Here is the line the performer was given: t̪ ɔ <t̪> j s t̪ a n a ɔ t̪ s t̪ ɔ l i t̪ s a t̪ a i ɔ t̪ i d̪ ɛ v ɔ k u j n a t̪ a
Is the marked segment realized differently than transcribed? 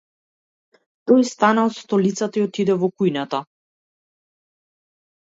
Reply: yes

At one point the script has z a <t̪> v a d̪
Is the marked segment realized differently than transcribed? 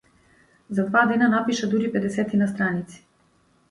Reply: yes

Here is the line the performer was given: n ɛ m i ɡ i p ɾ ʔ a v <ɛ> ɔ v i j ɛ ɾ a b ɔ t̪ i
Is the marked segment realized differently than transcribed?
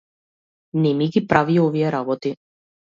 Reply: yes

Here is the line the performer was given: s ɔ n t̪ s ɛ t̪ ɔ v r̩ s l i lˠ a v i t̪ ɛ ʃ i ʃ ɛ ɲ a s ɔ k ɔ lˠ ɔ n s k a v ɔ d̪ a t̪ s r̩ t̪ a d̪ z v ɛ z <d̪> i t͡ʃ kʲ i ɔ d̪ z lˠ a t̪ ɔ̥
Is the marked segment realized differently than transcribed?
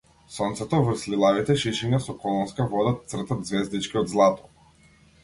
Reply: no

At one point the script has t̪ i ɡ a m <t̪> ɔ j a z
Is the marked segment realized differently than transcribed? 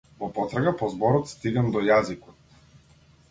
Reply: yes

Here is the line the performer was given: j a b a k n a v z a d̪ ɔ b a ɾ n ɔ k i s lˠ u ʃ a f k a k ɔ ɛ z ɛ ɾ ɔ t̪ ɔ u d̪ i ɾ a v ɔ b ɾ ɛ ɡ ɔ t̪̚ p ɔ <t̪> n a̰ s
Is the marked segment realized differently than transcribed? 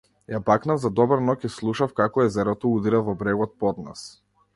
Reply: yes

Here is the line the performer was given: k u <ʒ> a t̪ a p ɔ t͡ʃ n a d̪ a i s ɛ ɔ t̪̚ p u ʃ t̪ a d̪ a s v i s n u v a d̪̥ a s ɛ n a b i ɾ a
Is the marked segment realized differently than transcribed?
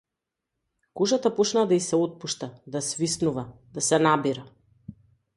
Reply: no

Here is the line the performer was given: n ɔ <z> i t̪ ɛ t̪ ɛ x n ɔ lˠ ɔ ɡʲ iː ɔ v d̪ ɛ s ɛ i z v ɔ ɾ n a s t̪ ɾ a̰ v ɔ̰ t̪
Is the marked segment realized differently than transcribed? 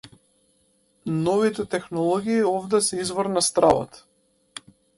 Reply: yes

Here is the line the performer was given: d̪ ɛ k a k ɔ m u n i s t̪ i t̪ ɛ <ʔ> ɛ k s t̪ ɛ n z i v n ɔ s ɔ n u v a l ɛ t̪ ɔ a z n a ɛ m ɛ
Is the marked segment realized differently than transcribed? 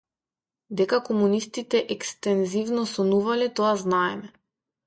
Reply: no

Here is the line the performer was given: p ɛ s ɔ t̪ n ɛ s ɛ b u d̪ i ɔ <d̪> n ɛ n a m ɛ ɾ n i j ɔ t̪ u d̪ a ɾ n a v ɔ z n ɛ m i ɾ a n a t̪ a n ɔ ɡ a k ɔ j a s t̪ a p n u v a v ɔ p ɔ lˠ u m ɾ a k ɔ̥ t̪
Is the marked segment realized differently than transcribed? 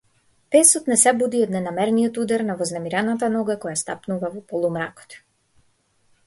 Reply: no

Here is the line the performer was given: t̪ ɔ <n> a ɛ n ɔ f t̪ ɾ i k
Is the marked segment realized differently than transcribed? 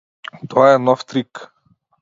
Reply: yes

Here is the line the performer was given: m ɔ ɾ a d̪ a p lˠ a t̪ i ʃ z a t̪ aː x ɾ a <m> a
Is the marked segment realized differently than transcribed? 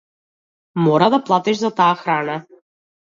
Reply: yes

